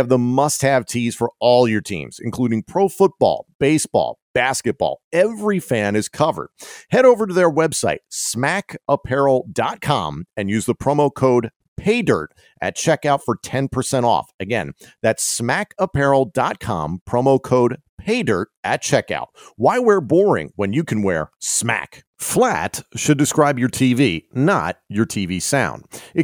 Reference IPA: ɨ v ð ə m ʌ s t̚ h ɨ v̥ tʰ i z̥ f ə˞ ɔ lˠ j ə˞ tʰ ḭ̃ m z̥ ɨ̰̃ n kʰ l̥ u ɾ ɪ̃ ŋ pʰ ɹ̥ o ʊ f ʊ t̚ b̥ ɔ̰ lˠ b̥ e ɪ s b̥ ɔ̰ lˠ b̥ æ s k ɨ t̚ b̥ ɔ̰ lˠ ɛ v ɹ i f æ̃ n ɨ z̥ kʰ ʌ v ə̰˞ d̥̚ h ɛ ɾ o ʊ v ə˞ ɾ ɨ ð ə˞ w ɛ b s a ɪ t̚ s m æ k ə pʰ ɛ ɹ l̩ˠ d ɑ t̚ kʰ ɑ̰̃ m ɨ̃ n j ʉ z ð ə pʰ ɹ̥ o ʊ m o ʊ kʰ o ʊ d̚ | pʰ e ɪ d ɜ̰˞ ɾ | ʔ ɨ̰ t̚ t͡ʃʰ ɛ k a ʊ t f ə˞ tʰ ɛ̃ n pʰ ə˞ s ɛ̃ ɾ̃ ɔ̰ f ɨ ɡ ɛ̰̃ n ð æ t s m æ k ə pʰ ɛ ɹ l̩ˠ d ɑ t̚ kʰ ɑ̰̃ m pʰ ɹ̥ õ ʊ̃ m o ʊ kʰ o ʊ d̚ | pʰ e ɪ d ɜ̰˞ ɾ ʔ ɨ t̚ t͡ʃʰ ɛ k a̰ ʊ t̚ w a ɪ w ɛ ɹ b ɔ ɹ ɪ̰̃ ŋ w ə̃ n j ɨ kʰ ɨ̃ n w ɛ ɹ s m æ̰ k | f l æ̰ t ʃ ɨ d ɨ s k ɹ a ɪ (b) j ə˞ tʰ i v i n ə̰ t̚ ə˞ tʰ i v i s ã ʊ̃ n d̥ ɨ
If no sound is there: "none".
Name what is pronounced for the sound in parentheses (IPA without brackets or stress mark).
b